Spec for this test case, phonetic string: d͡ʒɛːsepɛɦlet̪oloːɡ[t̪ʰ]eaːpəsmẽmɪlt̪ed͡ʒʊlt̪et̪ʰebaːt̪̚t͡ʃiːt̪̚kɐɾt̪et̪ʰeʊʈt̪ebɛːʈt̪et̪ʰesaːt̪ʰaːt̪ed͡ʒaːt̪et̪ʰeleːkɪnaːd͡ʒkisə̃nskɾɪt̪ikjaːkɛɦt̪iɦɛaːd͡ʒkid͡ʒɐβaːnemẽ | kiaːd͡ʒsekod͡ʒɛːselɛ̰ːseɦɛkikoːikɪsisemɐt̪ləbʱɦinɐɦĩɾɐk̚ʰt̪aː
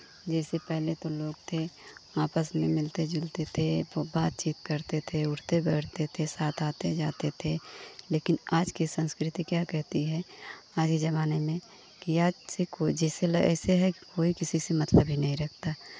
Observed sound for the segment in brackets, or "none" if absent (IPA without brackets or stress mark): t̪ʰ